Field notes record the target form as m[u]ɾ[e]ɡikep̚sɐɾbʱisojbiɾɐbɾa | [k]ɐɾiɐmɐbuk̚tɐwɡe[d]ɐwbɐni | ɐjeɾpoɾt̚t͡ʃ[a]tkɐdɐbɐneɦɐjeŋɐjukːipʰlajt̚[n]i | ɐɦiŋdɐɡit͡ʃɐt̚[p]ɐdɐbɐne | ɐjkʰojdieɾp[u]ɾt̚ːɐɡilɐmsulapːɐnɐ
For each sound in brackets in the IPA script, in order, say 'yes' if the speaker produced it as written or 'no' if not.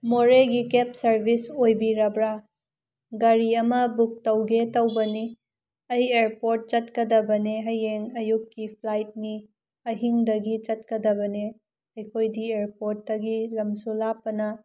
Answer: no, yes, no, no, no, yes, no, no

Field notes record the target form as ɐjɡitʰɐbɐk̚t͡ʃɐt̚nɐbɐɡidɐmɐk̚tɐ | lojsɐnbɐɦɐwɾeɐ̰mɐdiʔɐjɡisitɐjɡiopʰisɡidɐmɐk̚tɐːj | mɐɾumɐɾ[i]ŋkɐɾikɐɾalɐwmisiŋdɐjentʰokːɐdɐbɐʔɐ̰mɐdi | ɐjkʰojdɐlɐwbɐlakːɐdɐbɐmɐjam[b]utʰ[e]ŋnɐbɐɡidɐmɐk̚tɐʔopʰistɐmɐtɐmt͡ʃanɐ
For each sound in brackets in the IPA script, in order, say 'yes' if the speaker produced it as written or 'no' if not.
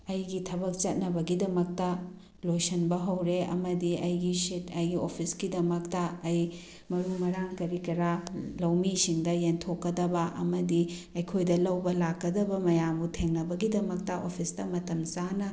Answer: no, yes, yes

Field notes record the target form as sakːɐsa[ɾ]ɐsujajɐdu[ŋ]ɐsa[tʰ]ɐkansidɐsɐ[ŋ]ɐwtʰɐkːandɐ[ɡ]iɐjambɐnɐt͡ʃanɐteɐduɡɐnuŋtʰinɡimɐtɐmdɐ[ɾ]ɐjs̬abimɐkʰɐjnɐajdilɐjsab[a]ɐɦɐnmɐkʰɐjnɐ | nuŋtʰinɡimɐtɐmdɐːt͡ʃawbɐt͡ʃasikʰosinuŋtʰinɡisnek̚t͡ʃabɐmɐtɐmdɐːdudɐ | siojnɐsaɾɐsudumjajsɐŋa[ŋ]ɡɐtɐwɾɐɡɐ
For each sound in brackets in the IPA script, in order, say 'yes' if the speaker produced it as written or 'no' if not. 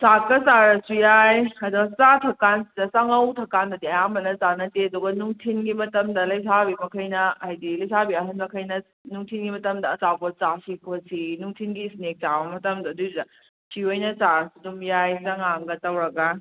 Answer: yes, no, yes, yes, no, no, no, yes

